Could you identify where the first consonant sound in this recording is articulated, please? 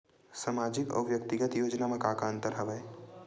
alveolar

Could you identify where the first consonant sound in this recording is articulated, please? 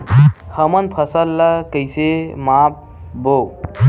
glottal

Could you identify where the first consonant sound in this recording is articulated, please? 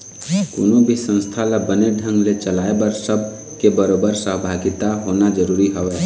velar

